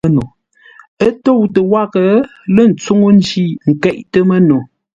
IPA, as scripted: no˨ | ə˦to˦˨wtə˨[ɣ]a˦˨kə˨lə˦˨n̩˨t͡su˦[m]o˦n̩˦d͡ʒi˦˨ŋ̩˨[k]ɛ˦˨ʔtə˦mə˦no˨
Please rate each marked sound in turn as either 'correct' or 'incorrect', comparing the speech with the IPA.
incorrect, incorrect, correct

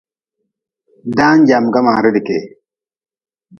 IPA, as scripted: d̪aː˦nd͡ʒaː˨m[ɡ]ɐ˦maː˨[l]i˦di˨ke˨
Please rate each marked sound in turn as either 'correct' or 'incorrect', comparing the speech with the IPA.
correct, incorrect

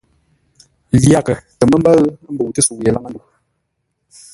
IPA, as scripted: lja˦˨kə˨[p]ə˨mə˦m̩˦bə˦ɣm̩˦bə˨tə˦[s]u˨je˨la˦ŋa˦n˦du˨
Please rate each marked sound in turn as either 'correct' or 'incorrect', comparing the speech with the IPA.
incorrect, correct

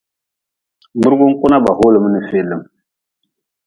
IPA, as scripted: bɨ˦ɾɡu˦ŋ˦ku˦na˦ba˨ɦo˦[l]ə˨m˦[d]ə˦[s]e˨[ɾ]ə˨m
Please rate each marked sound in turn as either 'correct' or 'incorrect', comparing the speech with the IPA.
correct, incorrect, incorrect, incorrect

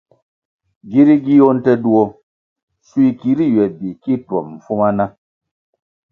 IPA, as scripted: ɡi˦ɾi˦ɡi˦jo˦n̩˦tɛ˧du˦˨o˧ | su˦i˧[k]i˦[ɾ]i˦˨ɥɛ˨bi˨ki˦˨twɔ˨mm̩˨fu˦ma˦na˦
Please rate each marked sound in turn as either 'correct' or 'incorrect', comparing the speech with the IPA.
correct, correct

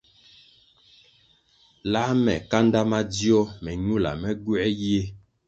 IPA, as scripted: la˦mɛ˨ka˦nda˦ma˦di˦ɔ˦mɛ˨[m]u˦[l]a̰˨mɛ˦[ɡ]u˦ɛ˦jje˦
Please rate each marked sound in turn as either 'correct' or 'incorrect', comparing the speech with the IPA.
incorrect, correct, correct

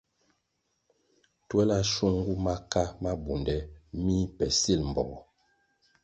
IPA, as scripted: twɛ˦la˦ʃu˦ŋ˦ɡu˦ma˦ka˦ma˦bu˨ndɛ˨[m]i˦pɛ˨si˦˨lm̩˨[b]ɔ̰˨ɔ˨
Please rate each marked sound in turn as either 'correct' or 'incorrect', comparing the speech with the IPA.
correct, correct

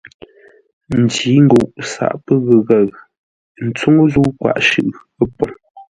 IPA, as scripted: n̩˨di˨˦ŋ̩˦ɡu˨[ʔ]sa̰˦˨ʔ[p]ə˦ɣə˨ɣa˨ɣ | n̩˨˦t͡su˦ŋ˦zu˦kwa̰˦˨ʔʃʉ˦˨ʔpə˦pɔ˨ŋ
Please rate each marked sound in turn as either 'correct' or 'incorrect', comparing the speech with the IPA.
correct, correct

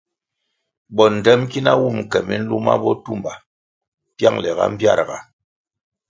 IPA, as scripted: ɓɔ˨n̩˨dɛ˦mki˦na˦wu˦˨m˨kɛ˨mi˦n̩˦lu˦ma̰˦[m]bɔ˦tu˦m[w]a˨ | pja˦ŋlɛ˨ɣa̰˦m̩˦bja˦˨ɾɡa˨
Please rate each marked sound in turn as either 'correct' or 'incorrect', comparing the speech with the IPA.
incorrect, incorrect

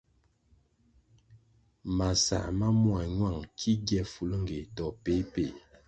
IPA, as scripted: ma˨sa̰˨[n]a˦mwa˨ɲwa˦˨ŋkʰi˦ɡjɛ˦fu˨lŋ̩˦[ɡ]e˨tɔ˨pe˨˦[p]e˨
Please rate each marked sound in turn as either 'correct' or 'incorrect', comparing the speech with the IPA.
incorrect, correct, correct

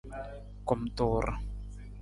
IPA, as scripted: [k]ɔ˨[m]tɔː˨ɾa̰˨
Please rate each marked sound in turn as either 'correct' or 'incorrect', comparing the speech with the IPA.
correct, correct

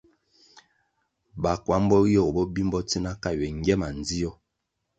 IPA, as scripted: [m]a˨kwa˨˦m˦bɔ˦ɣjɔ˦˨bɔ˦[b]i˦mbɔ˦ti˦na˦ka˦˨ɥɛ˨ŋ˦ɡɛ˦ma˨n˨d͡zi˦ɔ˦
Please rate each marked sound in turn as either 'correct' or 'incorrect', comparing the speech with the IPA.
incorrect, correct

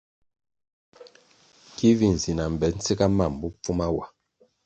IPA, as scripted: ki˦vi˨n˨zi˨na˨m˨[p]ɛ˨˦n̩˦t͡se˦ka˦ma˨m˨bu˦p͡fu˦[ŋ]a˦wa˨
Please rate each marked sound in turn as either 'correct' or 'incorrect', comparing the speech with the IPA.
incorrect, incorrect

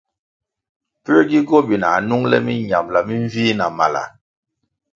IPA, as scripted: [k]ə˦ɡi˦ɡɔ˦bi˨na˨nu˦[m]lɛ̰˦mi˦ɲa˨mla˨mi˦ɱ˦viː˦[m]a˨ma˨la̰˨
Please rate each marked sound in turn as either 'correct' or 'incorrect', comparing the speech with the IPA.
incorrect, incorrect, incorrect

